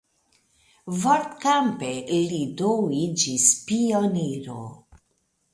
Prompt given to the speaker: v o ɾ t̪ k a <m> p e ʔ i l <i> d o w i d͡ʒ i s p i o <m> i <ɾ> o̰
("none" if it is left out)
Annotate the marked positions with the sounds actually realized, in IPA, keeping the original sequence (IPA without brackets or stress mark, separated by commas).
m, i, n, ɾ